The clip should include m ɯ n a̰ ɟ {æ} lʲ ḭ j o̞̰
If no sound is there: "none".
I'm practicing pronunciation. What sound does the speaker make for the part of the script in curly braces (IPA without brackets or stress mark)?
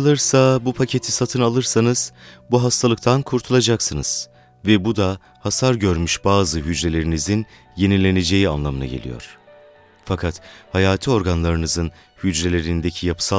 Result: e